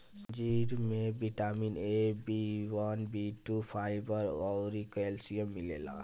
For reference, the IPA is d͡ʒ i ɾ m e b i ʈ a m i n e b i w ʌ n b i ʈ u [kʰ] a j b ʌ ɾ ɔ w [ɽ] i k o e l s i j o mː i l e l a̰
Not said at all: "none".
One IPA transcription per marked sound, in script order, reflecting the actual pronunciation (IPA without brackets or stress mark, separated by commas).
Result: pʰ, ɾ